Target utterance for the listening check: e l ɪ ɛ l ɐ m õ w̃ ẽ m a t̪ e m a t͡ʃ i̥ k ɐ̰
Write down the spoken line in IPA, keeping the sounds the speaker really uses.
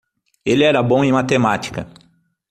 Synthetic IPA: e l ɪ ɛ ɾ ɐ b õ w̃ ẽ m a t̪ e m a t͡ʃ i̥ k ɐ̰